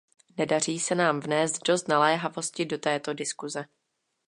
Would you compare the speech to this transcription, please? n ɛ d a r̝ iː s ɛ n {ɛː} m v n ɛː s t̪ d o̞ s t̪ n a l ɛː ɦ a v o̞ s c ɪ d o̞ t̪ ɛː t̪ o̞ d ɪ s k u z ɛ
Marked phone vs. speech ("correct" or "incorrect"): incorrect